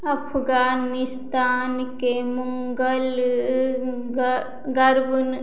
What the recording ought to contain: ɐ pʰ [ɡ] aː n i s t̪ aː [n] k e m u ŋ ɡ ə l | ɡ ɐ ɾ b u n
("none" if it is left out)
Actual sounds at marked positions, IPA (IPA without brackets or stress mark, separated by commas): ɡ, n